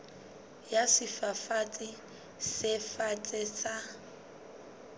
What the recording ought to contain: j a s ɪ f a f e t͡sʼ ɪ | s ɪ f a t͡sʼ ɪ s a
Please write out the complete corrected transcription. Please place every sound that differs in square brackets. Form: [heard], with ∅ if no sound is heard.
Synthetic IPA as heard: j a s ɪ f a f [a] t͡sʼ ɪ | s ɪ f a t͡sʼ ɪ s a